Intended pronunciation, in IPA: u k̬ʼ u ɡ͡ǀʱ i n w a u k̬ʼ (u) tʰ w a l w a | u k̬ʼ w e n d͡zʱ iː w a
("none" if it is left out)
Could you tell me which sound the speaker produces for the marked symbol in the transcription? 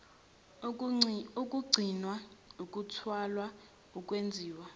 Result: u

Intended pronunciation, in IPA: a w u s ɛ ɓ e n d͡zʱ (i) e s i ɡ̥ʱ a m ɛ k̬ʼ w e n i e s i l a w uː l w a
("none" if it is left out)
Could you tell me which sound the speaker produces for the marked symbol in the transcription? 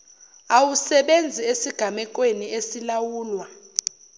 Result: i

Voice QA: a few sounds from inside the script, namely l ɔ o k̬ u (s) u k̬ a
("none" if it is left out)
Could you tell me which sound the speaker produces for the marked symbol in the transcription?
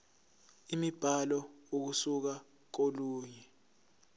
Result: s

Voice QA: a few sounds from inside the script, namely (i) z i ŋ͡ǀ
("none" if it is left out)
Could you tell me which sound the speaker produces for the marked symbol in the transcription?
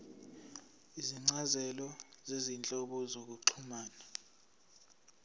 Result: i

